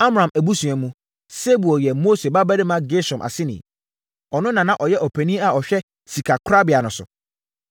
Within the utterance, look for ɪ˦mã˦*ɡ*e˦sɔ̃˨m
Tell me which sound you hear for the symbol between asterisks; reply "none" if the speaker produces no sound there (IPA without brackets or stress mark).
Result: ɡ